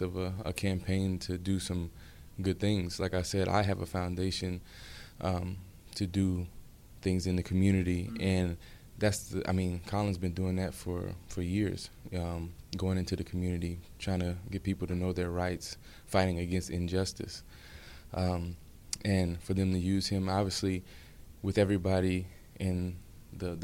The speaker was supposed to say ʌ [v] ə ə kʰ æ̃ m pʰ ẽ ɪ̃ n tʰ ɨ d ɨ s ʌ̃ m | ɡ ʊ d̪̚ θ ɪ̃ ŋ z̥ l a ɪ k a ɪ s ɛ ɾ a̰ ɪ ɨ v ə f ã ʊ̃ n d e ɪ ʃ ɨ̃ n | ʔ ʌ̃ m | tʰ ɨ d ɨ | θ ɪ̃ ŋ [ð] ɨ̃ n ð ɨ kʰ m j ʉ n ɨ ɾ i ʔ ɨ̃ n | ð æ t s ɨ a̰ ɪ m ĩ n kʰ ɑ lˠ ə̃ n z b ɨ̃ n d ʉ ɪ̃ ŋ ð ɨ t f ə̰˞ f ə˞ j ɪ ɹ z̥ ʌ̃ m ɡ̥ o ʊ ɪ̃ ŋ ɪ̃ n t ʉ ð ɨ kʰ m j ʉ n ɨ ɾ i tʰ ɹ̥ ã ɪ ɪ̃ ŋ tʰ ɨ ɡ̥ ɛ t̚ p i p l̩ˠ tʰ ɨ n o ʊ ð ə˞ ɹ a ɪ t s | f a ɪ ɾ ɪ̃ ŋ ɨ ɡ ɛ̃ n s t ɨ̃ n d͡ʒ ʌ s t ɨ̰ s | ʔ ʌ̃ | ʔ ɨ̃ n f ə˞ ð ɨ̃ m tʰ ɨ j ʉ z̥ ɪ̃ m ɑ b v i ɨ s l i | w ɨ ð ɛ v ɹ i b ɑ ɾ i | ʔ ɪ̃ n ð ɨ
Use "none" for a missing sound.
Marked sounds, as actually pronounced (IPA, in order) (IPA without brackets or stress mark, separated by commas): v, z